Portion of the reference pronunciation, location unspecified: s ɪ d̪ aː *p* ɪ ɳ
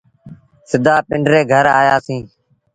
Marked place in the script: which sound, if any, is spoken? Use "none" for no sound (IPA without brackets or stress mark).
p